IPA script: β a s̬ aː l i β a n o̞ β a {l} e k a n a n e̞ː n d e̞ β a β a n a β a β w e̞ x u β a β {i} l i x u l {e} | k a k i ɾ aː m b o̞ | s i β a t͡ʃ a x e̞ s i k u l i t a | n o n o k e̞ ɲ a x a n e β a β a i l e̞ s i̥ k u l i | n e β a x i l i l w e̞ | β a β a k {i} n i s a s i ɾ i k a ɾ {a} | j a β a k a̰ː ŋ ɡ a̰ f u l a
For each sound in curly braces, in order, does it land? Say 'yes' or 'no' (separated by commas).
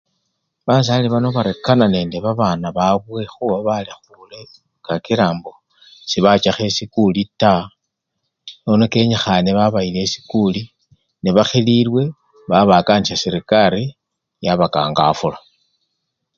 no, no, yes, no, no